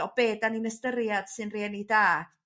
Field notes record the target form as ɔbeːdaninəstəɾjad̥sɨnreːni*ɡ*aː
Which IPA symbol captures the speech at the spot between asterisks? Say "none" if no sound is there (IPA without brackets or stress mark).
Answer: d